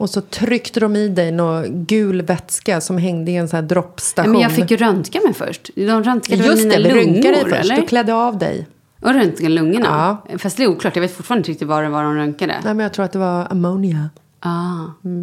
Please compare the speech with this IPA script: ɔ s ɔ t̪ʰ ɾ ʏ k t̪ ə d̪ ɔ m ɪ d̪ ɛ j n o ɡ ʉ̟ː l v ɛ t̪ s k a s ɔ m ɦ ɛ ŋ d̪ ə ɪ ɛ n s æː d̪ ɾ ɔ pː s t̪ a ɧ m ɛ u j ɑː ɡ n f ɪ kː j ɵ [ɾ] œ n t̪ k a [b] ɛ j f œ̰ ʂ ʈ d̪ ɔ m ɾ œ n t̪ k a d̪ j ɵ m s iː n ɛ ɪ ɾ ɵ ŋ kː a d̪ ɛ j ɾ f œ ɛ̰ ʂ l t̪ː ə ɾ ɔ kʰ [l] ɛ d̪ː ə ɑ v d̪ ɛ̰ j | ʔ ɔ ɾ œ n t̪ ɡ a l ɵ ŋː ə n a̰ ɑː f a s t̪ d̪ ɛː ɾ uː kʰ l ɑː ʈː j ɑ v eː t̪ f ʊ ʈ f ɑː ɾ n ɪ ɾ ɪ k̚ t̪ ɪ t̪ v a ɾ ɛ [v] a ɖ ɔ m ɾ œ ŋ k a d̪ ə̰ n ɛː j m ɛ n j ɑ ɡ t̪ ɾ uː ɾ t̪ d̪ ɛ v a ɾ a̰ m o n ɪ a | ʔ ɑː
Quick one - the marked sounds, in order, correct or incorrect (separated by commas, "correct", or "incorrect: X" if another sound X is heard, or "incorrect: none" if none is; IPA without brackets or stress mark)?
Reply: correct, incorrect: m, correct, correct